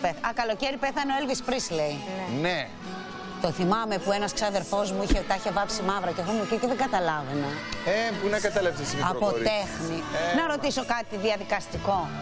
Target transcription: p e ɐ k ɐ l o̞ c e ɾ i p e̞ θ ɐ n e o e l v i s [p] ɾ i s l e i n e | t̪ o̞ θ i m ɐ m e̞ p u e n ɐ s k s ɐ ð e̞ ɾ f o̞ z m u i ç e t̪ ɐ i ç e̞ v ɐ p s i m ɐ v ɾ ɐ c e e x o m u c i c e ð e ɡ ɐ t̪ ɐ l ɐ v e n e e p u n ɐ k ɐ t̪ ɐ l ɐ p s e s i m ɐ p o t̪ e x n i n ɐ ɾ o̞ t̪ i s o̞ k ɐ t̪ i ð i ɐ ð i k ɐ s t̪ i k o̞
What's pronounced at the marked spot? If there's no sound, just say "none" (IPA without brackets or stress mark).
p